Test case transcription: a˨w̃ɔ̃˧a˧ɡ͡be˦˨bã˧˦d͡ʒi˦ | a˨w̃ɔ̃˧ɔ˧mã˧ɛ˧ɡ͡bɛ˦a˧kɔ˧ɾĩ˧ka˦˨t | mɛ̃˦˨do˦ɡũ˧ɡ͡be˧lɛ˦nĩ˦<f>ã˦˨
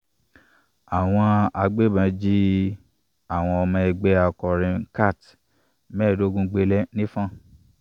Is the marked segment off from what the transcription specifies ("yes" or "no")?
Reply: no